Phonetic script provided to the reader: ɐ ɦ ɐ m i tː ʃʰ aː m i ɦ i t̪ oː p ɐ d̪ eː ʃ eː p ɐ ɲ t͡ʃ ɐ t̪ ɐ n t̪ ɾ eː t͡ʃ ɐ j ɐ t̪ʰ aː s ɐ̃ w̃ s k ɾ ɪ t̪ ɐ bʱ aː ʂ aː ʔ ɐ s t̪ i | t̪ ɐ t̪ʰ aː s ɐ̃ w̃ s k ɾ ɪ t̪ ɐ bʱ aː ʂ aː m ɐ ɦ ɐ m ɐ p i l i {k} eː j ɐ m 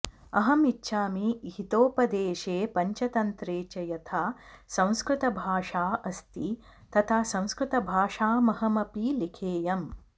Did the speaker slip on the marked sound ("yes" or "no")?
yes